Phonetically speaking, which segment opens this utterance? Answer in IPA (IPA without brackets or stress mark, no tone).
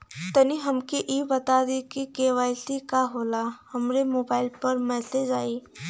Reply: t̪